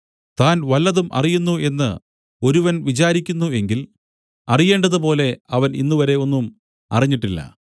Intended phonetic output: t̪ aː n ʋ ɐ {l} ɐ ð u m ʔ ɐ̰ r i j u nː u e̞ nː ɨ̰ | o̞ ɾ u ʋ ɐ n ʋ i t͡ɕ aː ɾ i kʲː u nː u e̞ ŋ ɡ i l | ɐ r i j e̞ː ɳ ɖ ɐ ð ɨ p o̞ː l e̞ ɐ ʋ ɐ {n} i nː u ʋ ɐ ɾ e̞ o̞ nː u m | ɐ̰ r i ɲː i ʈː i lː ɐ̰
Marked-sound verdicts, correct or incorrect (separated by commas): incorrect, correct